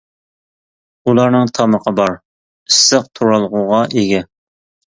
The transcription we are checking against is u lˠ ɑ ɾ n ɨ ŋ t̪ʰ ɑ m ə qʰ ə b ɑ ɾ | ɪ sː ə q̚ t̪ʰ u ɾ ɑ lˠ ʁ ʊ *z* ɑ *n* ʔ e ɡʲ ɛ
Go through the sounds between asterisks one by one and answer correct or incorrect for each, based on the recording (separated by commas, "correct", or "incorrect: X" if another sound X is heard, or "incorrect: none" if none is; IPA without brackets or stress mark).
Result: incorrect: ʁ, incorrect: none